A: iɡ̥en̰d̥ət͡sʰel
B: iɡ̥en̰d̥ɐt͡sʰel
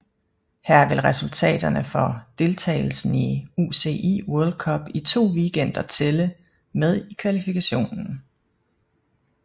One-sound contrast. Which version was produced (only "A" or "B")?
B